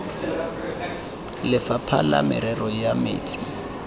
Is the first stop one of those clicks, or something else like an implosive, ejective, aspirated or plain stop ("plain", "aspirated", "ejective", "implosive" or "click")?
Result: aspirated